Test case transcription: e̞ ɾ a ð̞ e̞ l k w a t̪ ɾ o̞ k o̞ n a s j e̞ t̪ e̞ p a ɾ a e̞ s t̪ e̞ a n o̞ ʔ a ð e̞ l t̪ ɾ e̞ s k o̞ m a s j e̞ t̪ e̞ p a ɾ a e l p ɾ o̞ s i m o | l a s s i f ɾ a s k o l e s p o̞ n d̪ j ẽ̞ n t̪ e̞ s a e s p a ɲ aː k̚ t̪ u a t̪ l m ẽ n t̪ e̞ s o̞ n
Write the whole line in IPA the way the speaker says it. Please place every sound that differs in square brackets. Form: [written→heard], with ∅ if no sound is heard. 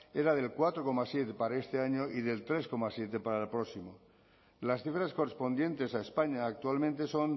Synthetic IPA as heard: e̞ ɾ a ð̞ e̞ l k w a t̪ ɾ o̞ k o̞ [n→m] a s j e̞ t̪ e̞ p a ɾ a e̞ s t̪ e̞ a [n→ɲ] o̞ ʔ [a→i] ð e̞ l t̪ ɾ e̞ s k o̞ m a s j e̞ t̪ e̞ p a ɾ a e l p ɾ o̞ s i m o | l a s [s→θ] i f ɾ a s k o [l→r] e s p o̞ n d̪ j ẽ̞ n t̪ e̞ s a e s p a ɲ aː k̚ t̪ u a [t̪→∅] l m ẽ n t̪ e̞ s o̞ n